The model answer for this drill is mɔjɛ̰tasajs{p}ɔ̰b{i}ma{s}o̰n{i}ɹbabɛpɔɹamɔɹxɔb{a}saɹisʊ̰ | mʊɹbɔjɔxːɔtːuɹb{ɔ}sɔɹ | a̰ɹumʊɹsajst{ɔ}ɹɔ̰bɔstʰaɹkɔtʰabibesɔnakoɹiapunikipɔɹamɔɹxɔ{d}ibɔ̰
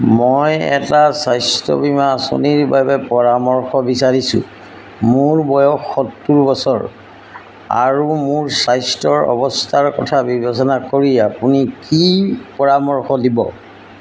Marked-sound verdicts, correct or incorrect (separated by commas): incorrect, correct, correct, correct, incorrect, correct, correct, correct